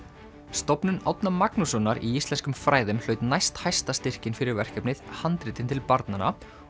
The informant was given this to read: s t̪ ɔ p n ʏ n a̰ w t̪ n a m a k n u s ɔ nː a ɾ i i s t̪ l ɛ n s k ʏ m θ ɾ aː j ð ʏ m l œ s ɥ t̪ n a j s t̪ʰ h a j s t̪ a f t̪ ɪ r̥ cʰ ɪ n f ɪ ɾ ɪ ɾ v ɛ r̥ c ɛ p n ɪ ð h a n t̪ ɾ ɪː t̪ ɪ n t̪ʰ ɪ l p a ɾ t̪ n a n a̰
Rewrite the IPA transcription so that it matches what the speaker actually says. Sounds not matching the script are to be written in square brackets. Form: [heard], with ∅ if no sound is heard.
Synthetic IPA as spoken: s t̪ ɔ p n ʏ n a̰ w t̪ n a m a k n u s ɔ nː a ɾ i i s t̪ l ɛ n s k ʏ m [f] ɾ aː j ð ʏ m l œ [∅] ɥ t̪ n a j s [t̪] h a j s t̪ a [s] t̪ ɪ r̥ [c] ɪ n f ɪ ɾ ɪ ɾ v ɛ r̥ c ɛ p n ɪ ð h a n t̪ ɾ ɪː t̪ ɪ n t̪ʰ ɪ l p a ɾ t̪ n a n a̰